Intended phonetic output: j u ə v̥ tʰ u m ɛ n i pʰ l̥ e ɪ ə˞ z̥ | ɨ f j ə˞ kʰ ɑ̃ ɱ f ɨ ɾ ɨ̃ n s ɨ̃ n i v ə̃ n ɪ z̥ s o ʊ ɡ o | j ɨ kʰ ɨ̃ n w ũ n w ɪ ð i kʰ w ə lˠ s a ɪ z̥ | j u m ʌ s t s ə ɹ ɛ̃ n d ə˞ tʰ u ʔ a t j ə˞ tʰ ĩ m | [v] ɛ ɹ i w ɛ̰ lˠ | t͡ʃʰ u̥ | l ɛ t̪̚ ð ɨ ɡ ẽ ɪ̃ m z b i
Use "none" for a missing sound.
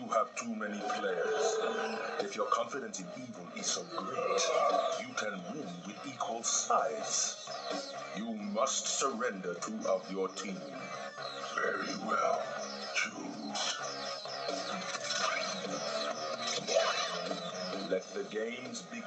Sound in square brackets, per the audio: v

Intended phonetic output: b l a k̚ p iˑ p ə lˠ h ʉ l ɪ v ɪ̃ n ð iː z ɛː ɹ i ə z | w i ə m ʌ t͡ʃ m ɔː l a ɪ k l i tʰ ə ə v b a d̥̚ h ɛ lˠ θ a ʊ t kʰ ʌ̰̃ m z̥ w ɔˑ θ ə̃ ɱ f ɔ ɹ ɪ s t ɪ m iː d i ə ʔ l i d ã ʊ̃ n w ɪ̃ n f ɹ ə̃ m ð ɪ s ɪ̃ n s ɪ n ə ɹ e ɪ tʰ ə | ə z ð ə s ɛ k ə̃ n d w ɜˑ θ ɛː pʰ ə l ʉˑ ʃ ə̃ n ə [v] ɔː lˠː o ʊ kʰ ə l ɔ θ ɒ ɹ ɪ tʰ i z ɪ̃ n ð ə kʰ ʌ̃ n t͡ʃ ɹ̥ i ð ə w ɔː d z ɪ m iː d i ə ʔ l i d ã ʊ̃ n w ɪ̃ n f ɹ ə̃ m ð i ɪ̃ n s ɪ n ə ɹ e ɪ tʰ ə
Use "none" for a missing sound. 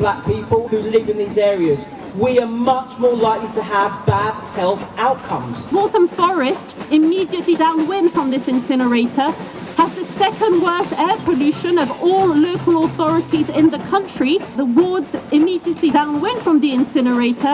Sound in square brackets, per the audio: v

